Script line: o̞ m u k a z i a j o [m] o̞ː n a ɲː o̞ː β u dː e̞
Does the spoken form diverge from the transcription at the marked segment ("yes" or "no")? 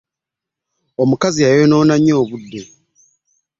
yes